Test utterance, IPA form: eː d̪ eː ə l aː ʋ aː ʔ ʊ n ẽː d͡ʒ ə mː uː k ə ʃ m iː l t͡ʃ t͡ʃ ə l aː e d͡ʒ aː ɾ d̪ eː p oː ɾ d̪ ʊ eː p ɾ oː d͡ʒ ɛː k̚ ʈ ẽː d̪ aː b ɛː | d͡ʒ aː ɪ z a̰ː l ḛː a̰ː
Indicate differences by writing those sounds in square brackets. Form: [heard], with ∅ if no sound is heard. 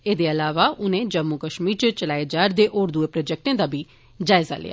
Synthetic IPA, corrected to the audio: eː d̪ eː ə l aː ʋ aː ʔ ʊ n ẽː d͡ʒ ə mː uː k ə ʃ m iː [ɾ] t͡ʃ t͡ʃ ə l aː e d͡ʒ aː ɾ d̪ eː [ʔ] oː ɾ d̪ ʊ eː p ɾ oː d͡ʒ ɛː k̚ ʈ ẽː d̪ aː b [iː] | d͡ʒ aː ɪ z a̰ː l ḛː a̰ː